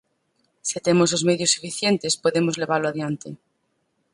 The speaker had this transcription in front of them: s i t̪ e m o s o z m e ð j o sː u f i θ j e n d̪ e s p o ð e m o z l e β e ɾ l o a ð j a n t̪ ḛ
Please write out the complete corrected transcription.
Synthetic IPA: s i t̪ e m o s o z m e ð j o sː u f i θ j e n t̪ e s p o ð e m o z l e β a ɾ l o a ð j a n t̪ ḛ